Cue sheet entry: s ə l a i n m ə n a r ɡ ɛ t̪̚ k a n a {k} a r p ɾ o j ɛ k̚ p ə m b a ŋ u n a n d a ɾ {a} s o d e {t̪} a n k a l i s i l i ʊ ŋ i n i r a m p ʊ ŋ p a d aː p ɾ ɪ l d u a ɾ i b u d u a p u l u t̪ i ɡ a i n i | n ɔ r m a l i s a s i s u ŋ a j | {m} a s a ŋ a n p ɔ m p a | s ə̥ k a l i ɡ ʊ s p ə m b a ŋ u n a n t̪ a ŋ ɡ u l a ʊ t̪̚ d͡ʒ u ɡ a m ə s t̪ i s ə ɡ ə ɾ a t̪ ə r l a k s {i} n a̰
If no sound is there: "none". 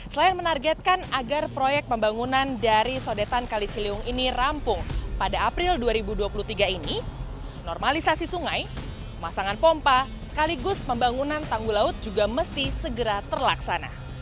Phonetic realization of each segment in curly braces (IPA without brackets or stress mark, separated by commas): ɡ, i, t̪, m, a